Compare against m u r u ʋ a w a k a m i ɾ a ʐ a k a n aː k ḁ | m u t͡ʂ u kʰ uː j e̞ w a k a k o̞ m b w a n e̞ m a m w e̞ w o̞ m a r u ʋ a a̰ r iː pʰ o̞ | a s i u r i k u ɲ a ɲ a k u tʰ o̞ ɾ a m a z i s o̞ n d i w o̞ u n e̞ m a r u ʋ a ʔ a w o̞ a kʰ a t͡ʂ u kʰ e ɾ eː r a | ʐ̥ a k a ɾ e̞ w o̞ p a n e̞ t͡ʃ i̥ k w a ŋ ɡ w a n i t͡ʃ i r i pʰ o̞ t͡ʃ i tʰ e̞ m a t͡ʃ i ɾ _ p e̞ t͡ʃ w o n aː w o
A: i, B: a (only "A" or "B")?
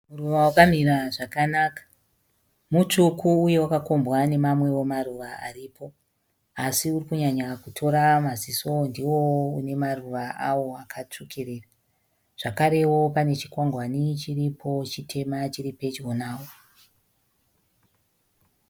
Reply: A